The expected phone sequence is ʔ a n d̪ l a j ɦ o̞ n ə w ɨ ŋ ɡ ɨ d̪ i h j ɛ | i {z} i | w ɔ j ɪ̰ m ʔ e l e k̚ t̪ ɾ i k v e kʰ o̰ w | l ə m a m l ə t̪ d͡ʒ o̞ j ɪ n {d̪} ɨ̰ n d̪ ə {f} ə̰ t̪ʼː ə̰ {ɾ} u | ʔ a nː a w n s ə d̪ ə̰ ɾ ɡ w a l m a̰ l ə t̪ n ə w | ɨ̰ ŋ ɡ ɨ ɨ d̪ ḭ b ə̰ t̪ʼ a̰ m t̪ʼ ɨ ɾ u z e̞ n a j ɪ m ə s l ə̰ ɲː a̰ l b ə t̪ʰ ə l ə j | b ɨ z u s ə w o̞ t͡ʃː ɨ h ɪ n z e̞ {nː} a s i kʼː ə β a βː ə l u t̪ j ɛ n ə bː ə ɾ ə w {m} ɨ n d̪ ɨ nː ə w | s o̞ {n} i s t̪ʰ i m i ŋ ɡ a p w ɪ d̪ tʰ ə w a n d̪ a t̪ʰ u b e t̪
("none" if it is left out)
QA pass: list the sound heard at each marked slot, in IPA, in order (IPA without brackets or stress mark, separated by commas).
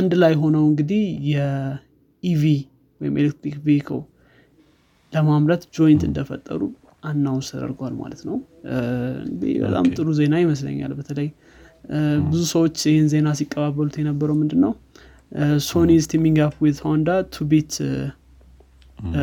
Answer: v, t̪, f, ɾ, n, m, n